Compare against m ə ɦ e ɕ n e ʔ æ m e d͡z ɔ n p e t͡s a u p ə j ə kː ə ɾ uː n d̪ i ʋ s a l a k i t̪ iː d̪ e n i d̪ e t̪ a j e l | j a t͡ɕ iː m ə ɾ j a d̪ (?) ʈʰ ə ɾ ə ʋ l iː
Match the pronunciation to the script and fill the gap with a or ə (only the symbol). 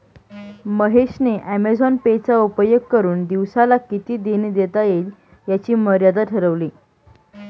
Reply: a